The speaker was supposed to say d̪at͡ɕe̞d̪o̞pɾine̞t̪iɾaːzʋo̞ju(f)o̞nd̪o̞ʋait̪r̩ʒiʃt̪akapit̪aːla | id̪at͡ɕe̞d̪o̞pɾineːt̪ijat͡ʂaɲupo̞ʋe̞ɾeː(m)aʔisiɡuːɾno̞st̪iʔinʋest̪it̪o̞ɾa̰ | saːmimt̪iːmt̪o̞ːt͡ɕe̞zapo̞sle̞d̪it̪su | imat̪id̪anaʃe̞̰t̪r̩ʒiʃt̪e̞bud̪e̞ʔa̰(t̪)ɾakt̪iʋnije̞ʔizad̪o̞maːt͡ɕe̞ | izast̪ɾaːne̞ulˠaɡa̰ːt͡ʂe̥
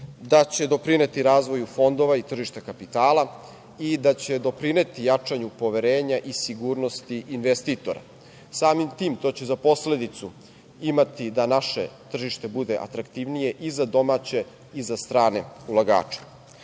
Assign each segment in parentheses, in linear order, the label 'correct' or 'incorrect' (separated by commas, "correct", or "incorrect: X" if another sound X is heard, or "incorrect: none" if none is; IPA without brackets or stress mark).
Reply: correct, incorrect: ɲ, correct